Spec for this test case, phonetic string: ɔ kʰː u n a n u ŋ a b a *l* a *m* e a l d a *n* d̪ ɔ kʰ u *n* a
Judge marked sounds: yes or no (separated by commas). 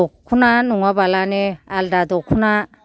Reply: yes, no, no, yes